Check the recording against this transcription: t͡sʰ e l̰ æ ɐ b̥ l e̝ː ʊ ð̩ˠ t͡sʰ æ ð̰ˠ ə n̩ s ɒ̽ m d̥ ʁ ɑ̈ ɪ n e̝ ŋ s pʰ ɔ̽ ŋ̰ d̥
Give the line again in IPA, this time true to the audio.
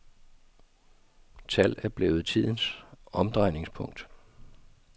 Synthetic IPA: t͡sʰ æ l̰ æ ɐ b̥ l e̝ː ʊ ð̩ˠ t͡sʰ i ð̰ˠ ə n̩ s ɒ̽ m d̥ ʁ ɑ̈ ɪ n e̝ ŋ s pʰ ɔ̽ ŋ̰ d̥

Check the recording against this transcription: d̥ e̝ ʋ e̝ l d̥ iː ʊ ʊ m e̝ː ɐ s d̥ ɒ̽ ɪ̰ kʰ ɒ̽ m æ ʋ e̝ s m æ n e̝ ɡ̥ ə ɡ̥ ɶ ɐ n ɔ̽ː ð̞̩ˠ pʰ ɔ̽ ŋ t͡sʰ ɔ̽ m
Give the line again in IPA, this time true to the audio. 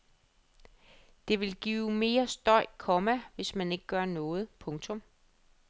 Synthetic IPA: d̥ e̝ ʋ e̝ l ɡ̥ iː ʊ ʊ m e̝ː ɐ s d̥ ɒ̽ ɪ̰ kʰ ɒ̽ m æ ʋ e̝ s m æ n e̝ ɡ̥ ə ɡ̥ ɶ ɐ n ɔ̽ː ð̞̩ˠ pʰ ɔ̽ ŋ t͡sʰ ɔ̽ m

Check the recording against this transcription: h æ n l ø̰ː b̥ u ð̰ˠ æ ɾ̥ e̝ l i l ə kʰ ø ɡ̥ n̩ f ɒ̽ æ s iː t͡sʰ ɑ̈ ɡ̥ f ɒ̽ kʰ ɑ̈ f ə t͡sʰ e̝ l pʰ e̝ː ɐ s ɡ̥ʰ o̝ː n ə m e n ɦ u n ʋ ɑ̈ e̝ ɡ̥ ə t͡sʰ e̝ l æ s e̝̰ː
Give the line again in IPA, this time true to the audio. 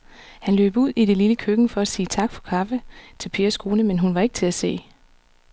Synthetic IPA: h æ n l ø̰ː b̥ u ð̰ˠ i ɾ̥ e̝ l i l ə kʰ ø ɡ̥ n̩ f ɒ̽ æ s iː t͡sʰ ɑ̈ ɡ̥ f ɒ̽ kʰ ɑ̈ f ə t͡sʰ e̝ l pʰ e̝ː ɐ s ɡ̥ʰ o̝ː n ə m e n ɦ u n ʋ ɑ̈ e̝ ɡ̥ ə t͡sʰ e̝ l æ s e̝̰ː

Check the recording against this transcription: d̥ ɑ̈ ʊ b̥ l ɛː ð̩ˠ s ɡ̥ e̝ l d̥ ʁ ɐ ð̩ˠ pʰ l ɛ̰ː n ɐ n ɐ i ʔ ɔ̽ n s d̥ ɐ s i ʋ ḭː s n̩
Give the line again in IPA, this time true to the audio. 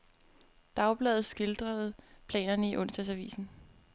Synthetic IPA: d̥ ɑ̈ ʊ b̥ l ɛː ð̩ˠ s ɡ̥ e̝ l d̥ ʁ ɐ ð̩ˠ pʰ l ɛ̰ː n ɐ n ə i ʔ ɔ̽ n s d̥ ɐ s æ ʋ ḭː s n̩

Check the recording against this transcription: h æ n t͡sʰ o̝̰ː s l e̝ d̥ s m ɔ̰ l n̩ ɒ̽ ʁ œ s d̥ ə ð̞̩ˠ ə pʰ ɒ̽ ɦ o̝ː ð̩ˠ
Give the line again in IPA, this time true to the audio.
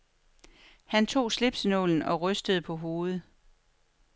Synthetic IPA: h æ n t͡sʰ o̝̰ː s l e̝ b̥ s n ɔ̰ l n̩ ɒ̽ ʁ œ s d̥ ə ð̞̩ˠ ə pʰ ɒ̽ ɦ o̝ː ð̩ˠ

